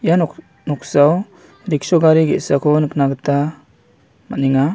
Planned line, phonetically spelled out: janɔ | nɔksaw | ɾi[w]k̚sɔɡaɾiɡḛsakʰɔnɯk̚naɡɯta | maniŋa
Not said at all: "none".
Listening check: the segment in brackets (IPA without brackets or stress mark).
none